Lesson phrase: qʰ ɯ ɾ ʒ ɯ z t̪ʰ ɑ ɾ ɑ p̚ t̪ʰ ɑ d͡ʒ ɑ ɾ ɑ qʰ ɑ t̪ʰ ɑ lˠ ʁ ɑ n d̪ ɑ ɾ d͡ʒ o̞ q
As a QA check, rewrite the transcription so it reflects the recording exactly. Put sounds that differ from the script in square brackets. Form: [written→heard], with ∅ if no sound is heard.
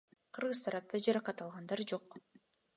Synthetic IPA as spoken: qʰ ɯ ɾ [ʒ→ʁ] ɯ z t̪ʰ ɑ ɾ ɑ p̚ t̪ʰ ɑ d͡ʒ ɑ ɾ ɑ [qʰ→q] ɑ [t̪ʰ→t̪] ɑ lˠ ʁ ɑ n d̪ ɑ ɾ d͡ʒ o̞ q